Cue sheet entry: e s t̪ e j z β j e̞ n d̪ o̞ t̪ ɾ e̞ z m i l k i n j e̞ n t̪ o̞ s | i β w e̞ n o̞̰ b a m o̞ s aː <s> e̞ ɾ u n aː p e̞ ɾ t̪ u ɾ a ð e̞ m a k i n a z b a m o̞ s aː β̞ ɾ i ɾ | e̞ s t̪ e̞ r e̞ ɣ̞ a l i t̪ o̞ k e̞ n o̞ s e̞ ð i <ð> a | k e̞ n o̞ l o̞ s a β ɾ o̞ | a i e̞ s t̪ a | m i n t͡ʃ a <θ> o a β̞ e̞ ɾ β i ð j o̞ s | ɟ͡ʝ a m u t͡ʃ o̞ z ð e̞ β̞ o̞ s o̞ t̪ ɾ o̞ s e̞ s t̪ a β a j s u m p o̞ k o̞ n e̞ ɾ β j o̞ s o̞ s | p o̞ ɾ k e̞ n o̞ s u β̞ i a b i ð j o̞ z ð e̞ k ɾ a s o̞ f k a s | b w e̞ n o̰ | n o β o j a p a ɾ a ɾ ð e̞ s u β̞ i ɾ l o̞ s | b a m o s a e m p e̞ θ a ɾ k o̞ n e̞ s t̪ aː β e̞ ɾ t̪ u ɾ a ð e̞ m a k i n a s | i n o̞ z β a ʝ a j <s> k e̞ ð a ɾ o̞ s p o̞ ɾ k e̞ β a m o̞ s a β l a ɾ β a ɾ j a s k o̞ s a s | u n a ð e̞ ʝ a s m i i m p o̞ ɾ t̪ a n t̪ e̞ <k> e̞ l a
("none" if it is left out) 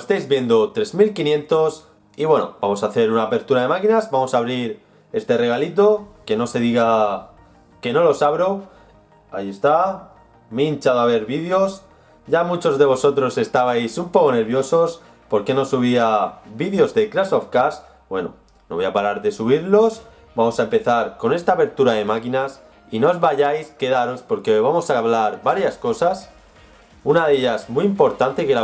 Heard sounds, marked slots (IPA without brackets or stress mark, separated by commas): θ, ɣ, ð, s, k